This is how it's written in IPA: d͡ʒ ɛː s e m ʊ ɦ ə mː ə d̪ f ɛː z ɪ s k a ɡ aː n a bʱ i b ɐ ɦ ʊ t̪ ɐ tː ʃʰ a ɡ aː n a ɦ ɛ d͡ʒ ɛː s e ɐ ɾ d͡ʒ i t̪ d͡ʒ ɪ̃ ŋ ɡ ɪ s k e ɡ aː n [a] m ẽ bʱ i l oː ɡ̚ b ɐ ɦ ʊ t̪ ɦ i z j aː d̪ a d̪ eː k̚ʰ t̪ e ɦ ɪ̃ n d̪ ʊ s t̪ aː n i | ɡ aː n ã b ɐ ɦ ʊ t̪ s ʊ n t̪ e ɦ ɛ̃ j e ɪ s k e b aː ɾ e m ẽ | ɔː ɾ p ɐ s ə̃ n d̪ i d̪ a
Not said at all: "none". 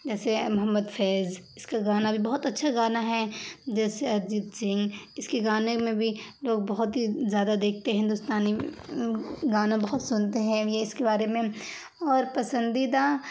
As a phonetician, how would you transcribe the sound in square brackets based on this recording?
e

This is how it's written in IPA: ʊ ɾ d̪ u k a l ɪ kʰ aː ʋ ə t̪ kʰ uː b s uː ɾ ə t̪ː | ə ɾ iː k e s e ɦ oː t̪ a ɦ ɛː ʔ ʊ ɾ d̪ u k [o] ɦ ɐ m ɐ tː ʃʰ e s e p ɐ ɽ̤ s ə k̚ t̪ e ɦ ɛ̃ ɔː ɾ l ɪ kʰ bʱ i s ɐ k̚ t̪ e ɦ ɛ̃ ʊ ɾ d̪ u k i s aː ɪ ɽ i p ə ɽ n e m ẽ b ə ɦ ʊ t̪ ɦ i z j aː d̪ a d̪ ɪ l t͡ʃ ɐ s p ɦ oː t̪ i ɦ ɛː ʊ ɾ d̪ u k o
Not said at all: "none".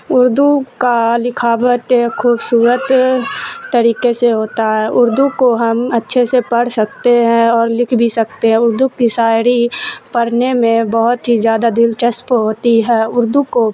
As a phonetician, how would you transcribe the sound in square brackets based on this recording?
o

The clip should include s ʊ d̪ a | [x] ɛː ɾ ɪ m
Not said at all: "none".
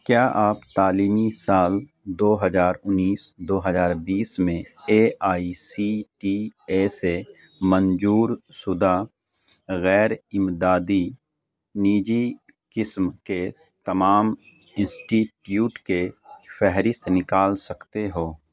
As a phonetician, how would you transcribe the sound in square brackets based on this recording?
ɣ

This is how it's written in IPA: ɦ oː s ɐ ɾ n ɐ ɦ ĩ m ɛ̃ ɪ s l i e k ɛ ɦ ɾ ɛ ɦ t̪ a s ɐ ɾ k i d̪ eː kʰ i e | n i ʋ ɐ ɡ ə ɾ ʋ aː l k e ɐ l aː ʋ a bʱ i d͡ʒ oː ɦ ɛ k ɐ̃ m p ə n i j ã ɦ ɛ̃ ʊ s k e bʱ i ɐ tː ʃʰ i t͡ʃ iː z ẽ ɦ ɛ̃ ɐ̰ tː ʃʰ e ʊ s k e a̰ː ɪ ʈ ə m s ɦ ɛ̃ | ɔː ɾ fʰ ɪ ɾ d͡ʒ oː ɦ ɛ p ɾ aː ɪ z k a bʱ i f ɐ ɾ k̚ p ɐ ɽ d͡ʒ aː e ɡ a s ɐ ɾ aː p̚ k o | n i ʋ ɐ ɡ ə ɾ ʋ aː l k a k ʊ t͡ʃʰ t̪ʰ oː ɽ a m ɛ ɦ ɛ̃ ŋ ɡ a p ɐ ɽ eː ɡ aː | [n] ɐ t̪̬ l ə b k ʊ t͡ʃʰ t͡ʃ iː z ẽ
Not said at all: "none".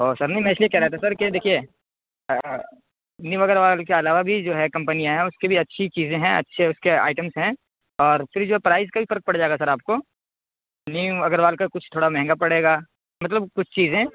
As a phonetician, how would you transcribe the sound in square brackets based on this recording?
m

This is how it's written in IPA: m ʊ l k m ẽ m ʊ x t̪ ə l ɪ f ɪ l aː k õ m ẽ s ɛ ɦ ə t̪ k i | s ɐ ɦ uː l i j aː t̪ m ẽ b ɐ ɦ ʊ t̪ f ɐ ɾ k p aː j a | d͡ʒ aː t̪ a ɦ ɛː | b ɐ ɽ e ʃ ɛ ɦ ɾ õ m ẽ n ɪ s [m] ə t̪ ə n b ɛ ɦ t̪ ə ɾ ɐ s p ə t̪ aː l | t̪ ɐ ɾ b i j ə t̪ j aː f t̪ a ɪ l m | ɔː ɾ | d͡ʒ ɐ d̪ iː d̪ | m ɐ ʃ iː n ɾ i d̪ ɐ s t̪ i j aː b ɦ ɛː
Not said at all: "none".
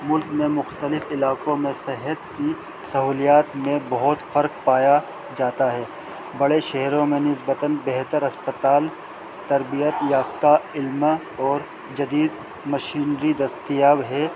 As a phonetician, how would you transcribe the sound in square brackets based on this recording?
b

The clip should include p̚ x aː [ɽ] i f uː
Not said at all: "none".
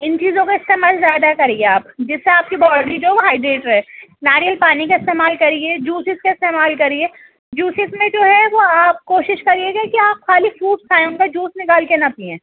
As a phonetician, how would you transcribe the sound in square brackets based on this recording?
l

